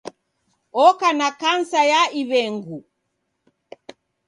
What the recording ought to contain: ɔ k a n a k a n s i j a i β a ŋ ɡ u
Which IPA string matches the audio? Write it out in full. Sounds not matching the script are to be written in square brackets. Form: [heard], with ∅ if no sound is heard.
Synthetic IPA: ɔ k a n a k a n s [a] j a i β [ɛ] ŋ ɡ u